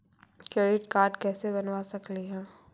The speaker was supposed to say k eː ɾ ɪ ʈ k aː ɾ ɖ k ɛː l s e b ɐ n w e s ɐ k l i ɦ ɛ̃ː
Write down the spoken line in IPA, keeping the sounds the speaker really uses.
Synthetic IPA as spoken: k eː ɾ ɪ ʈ k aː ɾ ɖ k ɛː s e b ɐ n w a s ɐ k l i ɦ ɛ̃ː

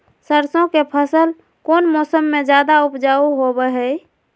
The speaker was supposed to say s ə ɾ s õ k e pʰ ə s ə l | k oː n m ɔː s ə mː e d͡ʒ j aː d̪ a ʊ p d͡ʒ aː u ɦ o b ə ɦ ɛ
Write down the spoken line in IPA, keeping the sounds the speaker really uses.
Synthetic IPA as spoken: s ə ɾ s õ k e pʰ ə s ə l | k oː n m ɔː s ə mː e d͡ʒ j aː d̪ a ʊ p d͡ʒ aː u ɦ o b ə ɦ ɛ

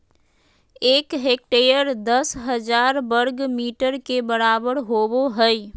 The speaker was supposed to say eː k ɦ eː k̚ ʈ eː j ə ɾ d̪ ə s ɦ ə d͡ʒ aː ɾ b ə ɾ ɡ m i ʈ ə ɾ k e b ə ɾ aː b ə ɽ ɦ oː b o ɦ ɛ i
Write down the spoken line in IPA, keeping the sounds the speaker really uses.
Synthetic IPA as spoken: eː k ɦ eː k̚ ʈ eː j ə ɾ d̪ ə s ɦ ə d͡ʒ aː ɾ b ə ɾ ɡ m iː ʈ ə ɾ k e b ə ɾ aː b ə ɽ ɦ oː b o ɦ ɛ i

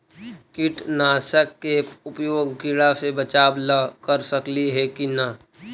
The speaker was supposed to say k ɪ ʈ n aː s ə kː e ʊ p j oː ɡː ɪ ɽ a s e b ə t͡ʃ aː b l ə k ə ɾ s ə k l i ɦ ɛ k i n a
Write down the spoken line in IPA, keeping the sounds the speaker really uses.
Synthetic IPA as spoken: k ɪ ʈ n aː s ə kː e ʊ p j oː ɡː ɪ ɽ a s e b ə t͡ʃ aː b l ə k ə ɾ s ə k l i ɦ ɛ k i n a

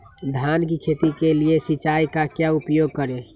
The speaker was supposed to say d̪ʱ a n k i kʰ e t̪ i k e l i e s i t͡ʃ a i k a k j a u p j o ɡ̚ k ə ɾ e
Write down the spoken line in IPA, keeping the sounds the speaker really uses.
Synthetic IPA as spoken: d̪ʱ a n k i kʰ e t̪ i k e l i e s i t͡ʃ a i k a k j a u p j o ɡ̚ k ə ɾ e

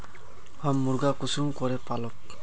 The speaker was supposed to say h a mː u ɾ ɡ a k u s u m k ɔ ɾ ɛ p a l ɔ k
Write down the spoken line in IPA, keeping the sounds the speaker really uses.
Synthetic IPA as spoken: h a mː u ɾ ɡ a k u s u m k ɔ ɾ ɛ p a l ɔ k

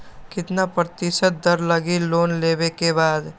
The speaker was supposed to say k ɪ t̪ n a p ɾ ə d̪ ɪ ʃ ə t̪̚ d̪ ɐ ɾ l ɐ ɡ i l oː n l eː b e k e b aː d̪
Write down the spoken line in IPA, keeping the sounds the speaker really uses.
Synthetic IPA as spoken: k ɪ t̪ n a p ɾ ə t̪ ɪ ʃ ə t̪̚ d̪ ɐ ɾ l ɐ ɡ i l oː n l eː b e k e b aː d̪

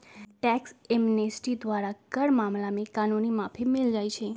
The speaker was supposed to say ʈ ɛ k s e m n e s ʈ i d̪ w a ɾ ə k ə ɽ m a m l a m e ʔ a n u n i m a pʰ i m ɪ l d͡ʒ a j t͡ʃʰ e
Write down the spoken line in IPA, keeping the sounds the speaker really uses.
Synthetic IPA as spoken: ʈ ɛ k s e m n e s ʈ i d̪ ʋ a ɾ a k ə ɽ m a m l a m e k a n u n i m a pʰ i m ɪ l d͡ʒ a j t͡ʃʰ e

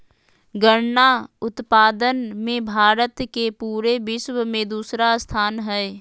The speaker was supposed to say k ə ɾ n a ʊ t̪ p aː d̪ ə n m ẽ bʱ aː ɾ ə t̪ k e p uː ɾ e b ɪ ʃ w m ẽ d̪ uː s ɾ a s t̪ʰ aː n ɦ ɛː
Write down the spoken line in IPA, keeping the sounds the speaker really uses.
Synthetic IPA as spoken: ɡ ə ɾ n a ʊ t̪ p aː d̪ ə n m ẽ bʱ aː ɾ ə t̪ k e p uː ɾ e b ɪ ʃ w m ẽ d̪ uː s ɾ a s t̪ʰ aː n ɦ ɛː

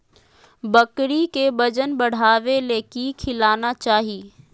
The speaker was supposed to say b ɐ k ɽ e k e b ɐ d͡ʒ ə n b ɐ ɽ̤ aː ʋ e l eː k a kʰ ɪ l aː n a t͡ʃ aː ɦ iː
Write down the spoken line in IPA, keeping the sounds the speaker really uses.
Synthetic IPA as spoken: b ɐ k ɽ i k e b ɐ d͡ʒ ə n b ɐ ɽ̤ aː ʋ e l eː k i kʰ ɪ l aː n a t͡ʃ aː ɦ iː

